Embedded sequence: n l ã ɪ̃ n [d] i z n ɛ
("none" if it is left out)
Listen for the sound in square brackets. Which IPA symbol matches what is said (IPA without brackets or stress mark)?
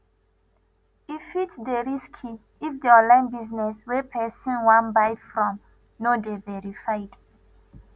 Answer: b